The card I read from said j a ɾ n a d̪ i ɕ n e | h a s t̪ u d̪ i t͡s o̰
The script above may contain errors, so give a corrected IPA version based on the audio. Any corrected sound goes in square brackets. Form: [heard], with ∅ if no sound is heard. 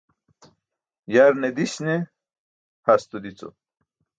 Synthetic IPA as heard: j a ɾ n [e] d̪ i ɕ n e | h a s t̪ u d̪ i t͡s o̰